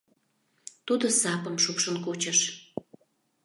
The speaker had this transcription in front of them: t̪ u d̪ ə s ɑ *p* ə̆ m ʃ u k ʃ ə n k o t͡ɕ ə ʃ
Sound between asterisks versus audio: correct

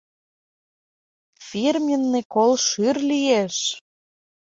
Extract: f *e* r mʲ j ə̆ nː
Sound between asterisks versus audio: incorrect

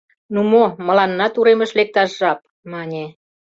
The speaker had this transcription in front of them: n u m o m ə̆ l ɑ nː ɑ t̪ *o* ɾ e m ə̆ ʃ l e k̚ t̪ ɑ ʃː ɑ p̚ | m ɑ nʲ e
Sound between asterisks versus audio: incorrect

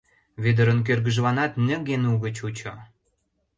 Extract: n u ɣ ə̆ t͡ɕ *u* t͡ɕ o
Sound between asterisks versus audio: correct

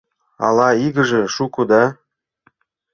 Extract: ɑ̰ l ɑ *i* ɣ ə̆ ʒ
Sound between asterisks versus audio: correct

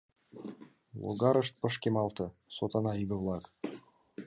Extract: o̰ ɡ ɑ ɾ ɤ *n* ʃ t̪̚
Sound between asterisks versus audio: incorrect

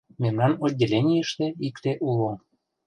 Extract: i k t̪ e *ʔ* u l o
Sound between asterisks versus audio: correct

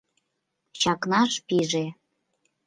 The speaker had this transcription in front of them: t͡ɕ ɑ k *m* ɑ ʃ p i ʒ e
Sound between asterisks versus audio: incorrect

